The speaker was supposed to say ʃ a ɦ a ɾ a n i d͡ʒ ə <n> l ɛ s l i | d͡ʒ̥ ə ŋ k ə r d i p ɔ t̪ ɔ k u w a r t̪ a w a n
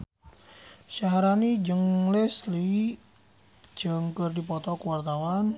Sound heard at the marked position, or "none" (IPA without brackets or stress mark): ŋ